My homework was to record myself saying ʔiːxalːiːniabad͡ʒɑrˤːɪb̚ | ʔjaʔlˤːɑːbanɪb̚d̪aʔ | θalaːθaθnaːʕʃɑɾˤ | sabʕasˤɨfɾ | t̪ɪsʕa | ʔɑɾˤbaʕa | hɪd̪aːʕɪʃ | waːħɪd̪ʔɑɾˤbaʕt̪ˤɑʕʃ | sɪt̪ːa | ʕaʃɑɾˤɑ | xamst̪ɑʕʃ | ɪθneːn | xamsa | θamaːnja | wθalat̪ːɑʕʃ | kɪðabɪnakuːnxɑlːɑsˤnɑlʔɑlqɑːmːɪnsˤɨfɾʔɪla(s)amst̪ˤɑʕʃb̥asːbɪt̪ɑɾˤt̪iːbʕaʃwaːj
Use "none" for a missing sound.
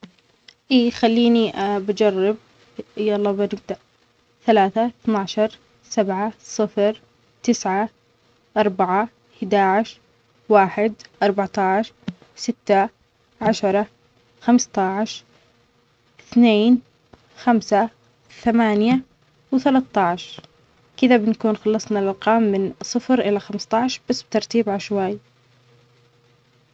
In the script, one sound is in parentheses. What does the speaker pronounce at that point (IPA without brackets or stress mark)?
x